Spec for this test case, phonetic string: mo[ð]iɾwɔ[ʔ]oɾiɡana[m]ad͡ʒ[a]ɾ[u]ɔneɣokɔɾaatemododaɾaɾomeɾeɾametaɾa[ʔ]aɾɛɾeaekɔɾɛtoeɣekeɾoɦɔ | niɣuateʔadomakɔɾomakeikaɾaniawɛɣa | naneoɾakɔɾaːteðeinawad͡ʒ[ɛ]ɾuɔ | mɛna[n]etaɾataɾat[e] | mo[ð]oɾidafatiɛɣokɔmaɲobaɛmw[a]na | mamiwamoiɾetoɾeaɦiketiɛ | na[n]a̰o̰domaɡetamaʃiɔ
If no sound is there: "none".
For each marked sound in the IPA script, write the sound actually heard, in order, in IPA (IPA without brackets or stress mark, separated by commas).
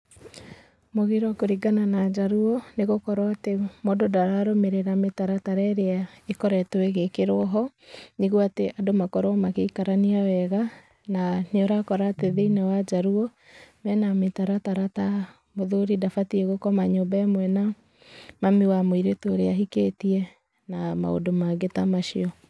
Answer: ɣ, k, n, a, u, t, a, m, a, ð, ɛ, m